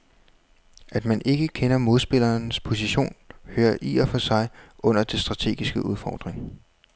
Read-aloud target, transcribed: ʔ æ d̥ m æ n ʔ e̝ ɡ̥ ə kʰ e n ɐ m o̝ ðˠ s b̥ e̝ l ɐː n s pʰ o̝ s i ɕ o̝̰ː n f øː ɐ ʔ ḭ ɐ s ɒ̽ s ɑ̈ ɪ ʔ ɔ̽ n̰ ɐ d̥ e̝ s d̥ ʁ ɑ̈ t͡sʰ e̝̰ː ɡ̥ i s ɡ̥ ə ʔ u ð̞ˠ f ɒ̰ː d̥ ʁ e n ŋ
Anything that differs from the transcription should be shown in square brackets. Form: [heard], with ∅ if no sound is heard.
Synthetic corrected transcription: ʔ æ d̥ m æ n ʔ e̝ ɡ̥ ə kʰ e n ɐ m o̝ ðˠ s b̥ e̝ l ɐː n s pʰ o̝ s i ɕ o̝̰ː n [h] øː ɐ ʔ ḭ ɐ [f] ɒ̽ s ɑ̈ ɪ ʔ ɔ̽ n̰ ɐ d̥ e̝ s d̥ ʁ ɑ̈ t͡sʰ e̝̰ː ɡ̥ i s ɡ̥ ə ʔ u ð̞ˠ f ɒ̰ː d̥ ʁ e [∅] ŋ